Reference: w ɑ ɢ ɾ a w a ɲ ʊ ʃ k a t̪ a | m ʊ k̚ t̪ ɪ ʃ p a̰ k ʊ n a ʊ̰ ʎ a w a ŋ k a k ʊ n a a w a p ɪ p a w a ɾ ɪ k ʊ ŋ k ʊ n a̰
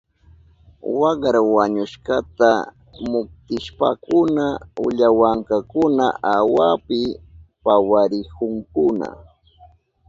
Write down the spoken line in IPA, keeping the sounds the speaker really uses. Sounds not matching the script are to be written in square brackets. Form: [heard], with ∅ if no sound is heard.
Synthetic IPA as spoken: w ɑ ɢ ɾ a w a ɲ ʊ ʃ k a t̪ a | m ʊ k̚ t̪ ɪ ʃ p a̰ k ʊ n a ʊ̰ ʎ a w a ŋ k a k ʊ n a a w a p ɪ p a w a ɾ ɪ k ʊ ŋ k ʊ n a̰